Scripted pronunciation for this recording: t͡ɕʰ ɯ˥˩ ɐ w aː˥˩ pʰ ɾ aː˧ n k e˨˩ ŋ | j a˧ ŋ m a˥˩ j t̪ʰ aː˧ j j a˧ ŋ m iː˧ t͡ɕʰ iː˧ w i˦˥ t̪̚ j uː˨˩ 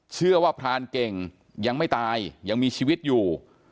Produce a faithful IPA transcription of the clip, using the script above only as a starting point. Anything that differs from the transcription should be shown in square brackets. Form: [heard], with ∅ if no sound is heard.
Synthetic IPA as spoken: t͡ɕʰ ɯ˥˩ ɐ w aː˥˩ pʰ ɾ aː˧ n k e˨˩ ŋ | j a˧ ŋ m a˥˩ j [t̪] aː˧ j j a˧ ŋ m iː˧ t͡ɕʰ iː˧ w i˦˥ t̪̚ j uː˨˩